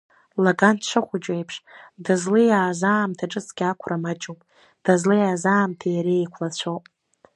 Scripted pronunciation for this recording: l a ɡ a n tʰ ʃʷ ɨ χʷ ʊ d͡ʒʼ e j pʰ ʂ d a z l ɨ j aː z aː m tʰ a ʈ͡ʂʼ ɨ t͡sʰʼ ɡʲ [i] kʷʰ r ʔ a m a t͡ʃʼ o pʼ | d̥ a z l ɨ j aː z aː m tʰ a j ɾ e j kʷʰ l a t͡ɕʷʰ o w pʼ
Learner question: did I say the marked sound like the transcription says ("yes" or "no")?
no